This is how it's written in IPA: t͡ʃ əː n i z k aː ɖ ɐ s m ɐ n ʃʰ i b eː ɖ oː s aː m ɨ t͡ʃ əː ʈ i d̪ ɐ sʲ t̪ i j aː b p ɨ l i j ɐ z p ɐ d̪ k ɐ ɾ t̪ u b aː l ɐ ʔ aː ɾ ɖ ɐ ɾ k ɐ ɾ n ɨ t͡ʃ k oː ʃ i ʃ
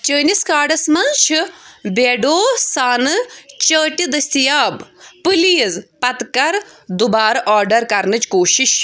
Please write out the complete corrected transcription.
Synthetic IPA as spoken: t͡ʃ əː n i s k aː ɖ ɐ s m ɐ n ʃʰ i b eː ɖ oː s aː n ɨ t͡ʃ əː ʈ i d̪ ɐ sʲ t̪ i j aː b p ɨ l i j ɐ z p ɐ t̪ k ɐ ɾ d̪ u b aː ɾ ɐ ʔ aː ɾ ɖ ɐ ɾ k ɐ ɾ n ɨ t͡ʃ k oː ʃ i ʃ